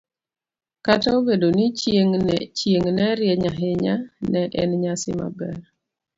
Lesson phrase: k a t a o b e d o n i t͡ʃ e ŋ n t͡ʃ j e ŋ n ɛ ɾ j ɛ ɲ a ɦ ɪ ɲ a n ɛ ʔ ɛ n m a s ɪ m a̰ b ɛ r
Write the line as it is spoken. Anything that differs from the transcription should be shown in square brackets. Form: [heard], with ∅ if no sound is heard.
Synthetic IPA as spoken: k a t a o b e d o n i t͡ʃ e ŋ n t͡ʃ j e ŋ n ɛ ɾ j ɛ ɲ a ɦ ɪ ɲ a n ɛ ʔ ɛ n [ɲ] a s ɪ m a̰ b ɛ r

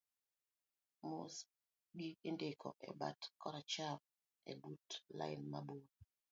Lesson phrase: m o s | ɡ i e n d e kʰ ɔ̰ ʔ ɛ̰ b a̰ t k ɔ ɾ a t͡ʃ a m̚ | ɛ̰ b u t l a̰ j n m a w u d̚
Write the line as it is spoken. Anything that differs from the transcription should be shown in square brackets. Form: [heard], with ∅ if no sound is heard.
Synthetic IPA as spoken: m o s | ɡ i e n d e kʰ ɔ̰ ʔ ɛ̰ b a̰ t k ɔ ɾ a t͡ʃ a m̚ | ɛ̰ b u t l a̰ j n m a [b] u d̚

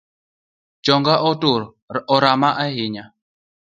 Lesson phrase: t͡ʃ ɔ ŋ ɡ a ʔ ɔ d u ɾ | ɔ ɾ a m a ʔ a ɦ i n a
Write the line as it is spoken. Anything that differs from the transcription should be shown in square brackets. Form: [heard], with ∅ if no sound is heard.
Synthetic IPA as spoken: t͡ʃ ɔ ŋ ɡ a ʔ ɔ [t] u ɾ | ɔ ɾ a m a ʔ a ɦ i [ɲ] a

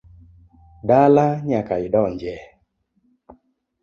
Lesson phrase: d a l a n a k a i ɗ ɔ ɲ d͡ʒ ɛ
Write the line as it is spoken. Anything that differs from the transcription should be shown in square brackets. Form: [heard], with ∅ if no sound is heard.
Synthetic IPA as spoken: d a l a [ɲ] a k a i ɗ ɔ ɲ d͡ʒ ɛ

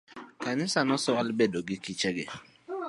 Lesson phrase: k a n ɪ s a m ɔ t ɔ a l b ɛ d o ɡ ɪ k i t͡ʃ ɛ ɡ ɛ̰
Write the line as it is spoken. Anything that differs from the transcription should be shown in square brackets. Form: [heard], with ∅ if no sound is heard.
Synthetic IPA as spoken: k a n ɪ s a [n] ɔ [s] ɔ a l b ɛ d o ɡ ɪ k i t͡ʃ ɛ ɡ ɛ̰

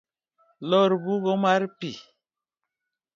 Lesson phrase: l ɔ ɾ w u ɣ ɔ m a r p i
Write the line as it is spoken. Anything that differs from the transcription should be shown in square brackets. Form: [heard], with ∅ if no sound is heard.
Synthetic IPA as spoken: l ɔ ɾ [b] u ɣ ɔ m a [ɾ] p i

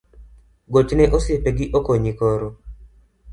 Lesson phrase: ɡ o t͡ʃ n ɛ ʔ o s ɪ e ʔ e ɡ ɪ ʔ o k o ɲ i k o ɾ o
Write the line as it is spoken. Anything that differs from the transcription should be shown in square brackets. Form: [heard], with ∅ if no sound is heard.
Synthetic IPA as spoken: ɡ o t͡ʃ n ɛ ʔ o s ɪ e [p] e ɡ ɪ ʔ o k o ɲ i k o ɾ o

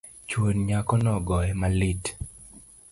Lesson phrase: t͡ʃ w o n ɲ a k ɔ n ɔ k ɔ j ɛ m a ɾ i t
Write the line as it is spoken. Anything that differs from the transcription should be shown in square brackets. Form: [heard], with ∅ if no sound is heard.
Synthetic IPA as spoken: t͡ʃ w o n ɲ a k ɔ n ɔ [ɡ] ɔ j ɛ m a [l] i t

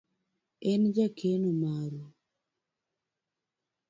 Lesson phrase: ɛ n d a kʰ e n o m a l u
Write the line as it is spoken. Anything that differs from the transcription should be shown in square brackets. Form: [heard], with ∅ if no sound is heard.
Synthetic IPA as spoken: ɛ n [d͡ʒ] a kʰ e n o m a [ɾ] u

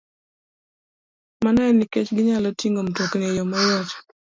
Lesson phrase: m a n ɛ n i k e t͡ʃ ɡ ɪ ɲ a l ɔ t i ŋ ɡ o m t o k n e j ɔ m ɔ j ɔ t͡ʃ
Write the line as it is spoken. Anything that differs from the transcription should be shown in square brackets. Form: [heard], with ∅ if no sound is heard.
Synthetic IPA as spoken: m a n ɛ n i k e t͡ʃ ɡ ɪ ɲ a l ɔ t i ŋ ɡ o m t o k n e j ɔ m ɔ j ɔ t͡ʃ

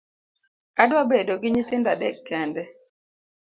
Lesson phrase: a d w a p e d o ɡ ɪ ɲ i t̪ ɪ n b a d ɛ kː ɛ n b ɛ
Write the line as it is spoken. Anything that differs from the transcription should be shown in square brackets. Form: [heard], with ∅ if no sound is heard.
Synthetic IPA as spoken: a d w a [b] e d o ɡ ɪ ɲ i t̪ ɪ n [d] a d ɛ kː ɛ n [d] ɛ

